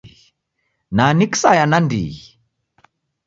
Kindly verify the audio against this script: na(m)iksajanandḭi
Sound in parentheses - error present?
yes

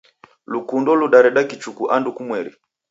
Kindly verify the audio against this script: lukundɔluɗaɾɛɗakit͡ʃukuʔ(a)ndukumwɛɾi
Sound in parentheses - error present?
no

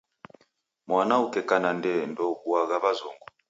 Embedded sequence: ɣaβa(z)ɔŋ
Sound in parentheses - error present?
no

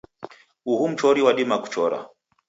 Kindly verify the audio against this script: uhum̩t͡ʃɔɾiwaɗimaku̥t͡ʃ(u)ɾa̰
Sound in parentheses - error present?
yes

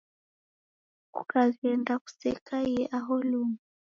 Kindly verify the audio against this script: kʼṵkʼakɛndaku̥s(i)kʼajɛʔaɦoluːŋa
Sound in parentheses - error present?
yes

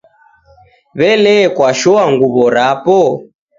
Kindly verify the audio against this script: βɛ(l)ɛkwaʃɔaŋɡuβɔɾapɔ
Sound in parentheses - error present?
no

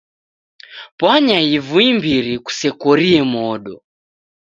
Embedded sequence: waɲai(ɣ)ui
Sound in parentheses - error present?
yes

